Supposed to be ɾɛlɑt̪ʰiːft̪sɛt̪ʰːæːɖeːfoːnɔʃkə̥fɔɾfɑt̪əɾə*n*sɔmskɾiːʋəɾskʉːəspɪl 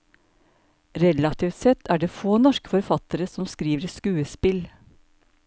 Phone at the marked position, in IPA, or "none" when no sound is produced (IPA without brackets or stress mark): none